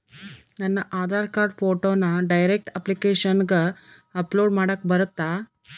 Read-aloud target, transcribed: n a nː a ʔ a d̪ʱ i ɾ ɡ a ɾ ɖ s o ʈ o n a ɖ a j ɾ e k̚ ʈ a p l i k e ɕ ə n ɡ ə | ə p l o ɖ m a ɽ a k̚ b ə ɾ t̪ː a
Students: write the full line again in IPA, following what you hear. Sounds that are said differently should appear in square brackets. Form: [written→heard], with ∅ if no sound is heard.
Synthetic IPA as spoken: n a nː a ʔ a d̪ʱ [i→a] ɾ [ɡ→k] a ɾ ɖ [s→f] o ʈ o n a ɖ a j ɾ e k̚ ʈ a p l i k e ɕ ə n ɡ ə | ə p l o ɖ m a ɽ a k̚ b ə ɾ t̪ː a